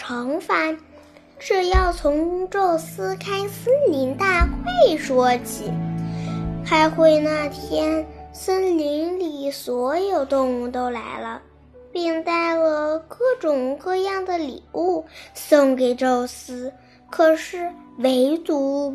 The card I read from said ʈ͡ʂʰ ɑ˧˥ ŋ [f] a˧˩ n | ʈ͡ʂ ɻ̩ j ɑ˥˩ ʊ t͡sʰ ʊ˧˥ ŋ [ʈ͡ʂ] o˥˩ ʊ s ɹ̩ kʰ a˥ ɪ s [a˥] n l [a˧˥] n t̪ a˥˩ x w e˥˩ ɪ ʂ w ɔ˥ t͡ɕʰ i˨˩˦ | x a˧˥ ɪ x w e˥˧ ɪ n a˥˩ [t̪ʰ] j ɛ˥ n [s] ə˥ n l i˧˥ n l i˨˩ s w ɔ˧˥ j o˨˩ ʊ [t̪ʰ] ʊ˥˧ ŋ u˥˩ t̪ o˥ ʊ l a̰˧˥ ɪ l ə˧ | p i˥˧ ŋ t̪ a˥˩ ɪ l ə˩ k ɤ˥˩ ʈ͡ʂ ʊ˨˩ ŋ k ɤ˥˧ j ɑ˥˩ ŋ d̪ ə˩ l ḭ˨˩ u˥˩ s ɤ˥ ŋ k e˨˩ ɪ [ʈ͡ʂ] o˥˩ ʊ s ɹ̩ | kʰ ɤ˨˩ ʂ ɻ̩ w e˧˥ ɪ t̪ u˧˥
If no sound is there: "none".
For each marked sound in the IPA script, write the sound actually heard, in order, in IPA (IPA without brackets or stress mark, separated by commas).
f, ʈ͡ʂ, ə˥, i˧˥, t̪ʰ, s, t̪, ʈ͡ʂ